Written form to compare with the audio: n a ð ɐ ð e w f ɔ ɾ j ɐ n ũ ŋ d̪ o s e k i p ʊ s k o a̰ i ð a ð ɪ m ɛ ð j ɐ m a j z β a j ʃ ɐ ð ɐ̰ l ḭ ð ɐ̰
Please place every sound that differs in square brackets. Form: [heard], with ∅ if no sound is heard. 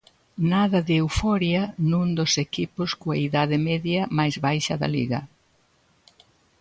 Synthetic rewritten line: n a ð ɐ ð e w f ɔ ɾ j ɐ n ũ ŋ d̪ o s e k i p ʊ s k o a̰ i ð a ð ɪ m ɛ ð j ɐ m a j z β a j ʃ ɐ ð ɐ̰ l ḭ [ɣ] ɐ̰